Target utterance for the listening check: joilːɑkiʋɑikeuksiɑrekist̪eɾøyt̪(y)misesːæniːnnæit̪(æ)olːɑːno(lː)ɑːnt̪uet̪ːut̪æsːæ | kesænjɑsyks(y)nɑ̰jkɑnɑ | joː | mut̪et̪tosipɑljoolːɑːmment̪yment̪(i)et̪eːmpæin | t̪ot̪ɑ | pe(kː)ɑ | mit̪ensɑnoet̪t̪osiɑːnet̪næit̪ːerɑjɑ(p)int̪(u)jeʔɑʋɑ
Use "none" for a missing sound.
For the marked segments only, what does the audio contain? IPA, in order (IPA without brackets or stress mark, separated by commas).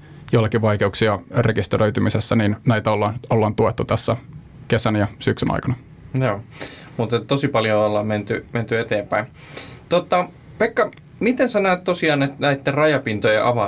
y, æ, lː, y, y, kː, p, o